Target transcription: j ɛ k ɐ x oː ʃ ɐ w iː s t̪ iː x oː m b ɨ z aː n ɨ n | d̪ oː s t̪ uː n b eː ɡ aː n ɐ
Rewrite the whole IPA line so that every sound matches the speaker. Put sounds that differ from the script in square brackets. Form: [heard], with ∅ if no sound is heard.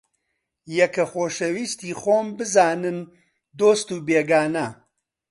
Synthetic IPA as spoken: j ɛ k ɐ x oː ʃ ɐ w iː s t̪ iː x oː m b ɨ z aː n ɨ n | d̪ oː s t̪ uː [∅] b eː ɡ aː n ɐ